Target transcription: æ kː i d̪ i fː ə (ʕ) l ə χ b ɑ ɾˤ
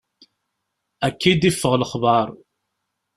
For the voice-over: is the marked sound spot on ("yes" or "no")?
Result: no